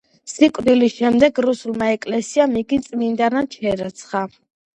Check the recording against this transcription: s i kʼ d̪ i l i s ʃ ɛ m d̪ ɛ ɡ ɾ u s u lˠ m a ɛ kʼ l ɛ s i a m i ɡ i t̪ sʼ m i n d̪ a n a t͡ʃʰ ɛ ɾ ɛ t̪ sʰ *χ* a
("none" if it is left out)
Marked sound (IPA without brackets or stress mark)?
χ